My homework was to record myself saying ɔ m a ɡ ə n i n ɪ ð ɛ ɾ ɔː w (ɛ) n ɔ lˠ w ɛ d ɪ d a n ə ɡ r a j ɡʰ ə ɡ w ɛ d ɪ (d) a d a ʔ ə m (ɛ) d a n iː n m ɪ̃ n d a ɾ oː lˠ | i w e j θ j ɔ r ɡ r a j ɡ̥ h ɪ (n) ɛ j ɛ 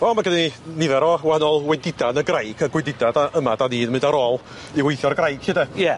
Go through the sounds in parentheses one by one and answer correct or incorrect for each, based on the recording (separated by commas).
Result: incorrect, correct, incorrect, incorrect